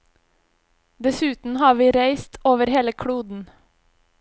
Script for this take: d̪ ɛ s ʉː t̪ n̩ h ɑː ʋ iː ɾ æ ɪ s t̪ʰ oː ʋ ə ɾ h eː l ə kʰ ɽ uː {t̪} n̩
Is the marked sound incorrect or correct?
incorrect